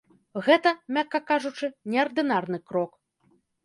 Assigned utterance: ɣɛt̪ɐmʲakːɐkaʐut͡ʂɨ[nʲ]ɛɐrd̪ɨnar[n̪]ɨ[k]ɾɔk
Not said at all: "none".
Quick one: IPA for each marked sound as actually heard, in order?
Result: nʲ, n̪, k

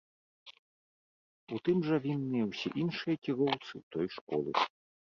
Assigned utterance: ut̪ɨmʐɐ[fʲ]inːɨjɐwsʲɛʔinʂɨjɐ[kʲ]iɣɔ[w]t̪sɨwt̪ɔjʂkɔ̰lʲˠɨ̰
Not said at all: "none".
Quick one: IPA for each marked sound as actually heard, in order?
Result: vʲ, kʲ, w

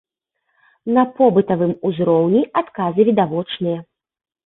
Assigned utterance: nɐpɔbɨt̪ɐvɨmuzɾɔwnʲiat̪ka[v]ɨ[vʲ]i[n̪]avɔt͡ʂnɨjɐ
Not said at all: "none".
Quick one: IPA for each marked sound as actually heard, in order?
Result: z, vʲ, d̪

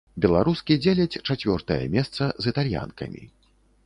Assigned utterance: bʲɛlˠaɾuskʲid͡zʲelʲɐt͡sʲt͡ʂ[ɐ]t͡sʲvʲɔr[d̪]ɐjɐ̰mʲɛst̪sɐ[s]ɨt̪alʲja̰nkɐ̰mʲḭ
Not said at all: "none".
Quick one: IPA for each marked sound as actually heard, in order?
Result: a, t̪, z

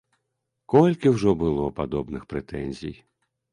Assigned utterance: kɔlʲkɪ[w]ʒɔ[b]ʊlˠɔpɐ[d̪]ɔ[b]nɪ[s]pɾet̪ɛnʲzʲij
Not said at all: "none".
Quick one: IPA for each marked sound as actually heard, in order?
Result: w, b, d̪, b, x

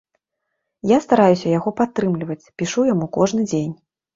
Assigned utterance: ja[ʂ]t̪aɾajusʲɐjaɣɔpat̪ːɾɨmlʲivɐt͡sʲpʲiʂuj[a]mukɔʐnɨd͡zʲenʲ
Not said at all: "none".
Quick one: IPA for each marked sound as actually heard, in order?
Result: s, a

